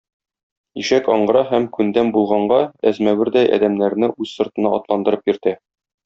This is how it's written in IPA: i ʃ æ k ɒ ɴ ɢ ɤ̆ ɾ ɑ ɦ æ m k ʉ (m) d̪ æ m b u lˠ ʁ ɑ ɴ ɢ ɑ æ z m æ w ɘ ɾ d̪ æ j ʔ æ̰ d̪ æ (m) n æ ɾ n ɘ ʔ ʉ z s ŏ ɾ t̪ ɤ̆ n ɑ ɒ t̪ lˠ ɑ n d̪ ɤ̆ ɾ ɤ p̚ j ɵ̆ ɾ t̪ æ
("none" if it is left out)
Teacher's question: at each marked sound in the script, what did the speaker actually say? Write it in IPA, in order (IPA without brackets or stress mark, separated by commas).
n, m